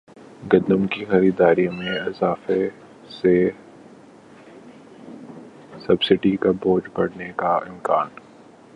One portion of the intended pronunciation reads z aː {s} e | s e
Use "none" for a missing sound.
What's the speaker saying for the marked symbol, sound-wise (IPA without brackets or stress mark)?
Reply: f